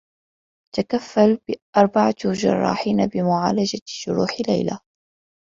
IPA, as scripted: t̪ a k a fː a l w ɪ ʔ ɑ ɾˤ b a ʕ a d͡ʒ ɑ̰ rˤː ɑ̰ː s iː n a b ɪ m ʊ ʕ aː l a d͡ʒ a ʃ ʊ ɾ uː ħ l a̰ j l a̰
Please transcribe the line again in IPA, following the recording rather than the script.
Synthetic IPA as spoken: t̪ a k a fː a l b ɪ ʔ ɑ ɾˤ b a ʕ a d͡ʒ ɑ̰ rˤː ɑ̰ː ħ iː n a b ɪ m ʊ ʕ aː l a d͡ʒ a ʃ ʊ ɾ uː ħ l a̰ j l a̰